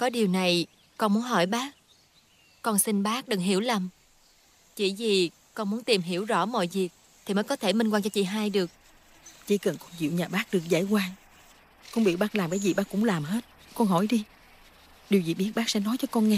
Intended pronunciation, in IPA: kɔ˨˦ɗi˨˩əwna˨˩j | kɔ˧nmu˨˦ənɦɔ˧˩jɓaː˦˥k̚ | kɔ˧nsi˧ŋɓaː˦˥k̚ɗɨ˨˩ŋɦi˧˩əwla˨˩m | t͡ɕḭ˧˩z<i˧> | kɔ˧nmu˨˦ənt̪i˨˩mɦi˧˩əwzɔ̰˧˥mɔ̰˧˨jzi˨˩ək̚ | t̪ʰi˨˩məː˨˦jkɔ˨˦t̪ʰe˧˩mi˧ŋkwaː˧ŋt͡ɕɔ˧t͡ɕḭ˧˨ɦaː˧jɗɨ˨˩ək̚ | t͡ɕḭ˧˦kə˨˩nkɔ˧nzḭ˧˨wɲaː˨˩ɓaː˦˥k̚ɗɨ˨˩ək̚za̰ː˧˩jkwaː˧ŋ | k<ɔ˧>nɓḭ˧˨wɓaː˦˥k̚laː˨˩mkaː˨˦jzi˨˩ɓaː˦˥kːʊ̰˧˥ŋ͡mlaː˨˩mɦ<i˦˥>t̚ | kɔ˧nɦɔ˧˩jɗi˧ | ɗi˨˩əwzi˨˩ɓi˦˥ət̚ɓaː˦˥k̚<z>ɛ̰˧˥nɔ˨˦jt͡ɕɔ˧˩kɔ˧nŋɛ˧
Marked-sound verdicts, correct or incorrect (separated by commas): incorrect, correct, incorrect, incorrect